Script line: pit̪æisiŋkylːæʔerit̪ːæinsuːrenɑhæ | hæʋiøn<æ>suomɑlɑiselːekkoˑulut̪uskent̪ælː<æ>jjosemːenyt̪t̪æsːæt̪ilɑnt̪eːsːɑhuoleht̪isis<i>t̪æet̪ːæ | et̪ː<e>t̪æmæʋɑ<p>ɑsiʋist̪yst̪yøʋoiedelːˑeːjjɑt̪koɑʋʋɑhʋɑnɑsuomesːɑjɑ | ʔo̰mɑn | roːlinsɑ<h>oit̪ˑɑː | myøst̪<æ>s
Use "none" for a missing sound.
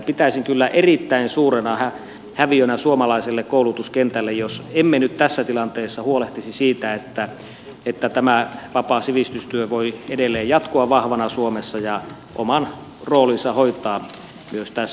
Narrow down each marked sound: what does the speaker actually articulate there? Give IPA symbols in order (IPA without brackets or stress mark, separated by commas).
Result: æ, e, iː, æ, p, h, æ